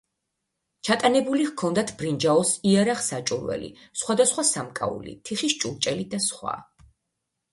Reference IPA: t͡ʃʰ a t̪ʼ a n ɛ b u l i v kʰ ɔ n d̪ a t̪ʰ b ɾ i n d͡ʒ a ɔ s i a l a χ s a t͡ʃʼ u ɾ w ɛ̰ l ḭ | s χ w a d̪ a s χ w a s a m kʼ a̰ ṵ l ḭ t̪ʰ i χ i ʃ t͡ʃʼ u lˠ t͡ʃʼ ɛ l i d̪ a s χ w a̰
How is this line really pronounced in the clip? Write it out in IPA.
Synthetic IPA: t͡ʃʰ a t̪ʼ a n ɛ b u l i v kʰ ɔ n d̪ a t̪ʰ b ɾ i n d͡ʒ a ɔ s i a ɾ a χ s a t͡ʃʼ u ɾ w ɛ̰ l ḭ | s χ w a d̪ a s χ w a s a m kʼ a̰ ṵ l ḭ t̪ʰ i χ i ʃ t͡ʃʼ u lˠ t͡ʃʼ ɛ l i d̪ a s χ w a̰